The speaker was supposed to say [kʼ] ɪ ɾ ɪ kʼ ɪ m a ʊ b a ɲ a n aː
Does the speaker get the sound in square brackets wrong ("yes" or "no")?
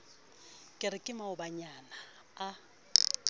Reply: no